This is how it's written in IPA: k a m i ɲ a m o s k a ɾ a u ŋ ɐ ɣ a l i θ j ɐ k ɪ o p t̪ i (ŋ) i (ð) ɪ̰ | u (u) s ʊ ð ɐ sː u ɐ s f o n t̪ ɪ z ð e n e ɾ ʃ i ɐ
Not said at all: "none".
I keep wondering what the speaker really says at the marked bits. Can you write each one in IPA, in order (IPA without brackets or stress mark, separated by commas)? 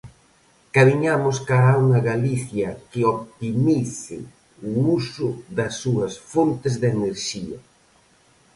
m, θ, u